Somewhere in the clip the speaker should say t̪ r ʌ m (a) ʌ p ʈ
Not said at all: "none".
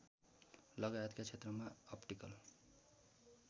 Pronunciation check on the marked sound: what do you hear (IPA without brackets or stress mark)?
a